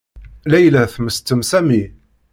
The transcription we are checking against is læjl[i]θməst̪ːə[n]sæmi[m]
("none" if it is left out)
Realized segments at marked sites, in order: æ, m, none

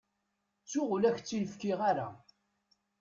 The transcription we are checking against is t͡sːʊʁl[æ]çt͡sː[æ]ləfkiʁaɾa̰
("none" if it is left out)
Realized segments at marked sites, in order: æ, i

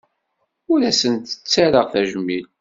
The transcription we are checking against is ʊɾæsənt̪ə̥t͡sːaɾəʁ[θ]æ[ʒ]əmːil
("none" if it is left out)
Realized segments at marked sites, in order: θ, ʒ

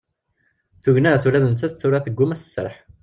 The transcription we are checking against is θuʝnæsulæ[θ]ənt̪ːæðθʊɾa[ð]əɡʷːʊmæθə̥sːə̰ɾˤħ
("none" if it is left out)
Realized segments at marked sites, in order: ð, θ

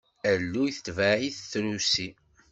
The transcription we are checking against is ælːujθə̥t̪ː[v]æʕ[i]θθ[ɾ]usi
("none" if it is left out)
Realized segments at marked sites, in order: v, i, ɾ

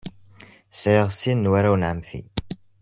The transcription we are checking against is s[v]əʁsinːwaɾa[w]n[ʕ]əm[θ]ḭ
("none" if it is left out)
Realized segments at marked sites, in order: ʕ, w, ʕ, θ

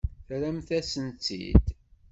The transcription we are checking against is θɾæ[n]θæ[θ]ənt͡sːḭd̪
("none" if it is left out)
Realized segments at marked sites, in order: m, s

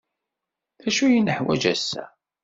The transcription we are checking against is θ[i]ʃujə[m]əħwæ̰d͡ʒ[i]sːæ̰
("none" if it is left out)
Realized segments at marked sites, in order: æ, n, æ

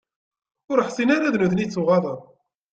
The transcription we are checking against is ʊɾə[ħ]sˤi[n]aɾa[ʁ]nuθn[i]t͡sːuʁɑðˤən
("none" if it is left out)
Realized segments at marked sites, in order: ħ, n, ð, i

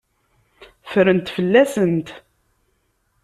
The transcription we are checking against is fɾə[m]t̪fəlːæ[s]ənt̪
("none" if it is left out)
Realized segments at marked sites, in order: n, s

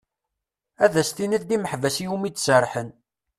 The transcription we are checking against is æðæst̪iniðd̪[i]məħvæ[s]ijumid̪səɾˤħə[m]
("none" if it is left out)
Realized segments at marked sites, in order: i, s, n

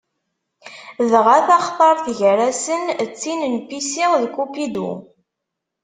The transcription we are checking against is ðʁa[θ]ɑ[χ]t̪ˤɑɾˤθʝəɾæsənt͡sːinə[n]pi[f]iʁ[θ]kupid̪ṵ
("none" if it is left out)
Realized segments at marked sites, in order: θ, χ, n, s, ð

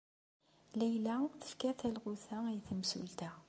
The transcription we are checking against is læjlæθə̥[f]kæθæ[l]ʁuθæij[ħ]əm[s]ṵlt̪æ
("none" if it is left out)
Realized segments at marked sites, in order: f, l, θ, s

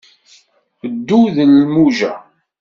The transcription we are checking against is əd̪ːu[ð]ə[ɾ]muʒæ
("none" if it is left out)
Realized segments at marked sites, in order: ð, l

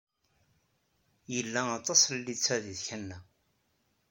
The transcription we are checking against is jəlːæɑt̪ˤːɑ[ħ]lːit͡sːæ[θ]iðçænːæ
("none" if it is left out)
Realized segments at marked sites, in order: s, ð

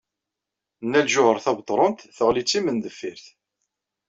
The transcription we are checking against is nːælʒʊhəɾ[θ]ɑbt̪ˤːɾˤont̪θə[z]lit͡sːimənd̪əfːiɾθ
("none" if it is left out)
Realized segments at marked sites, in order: θ, ʁ

